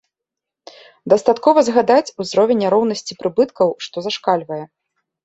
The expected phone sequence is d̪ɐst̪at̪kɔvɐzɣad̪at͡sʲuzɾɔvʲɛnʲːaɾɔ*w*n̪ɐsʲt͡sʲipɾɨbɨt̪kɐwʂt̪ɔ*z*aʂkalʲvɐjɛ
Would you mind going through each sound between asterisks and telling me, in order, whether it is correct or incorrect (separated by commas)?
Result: correct, correct